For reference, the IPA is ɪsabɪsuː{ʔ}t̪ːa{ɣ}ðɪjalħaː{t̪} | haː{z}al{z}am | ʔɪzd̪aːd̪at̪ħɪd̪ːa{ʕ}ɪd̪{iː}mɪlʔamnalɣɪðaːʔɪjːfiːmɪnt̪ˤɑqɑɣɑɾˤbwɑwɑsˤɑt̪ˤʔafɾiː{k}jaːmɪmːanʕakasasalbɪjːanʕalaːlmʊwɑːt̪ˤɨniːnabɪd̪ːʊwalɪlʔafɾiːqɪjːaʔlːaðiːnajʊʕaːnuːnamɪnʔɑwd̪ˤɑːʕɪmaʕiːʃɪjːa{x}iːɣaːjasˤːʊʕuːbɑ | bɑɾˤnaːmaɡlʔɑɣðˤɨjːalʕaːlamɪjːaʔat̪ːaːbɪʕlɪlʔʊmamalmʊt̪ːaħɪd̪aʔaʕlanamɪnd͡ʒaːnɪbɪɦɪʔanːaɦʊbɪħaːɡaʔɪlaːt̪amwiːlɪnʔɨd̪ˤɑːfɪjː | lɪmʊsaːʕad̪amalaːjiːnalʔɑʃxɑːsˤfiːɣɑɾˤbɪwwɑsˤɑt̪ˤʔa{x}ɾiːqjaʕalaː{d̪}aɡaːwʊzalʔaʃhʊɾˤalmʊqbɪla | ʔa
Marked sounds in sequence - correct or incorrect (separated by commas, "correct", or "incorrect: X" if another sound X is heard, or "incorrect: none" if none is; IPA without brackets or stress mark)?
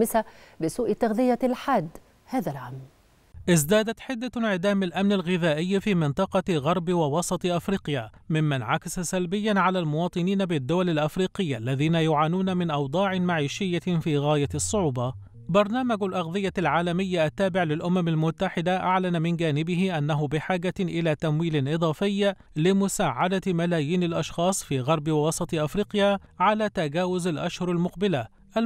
correct, correct, incorrect: d̪, incorrect: ð, incorrect: ʕ, correct, incorrect: aː, incorrect: q, incorrect: f, incorrect: f, incorrect: t̪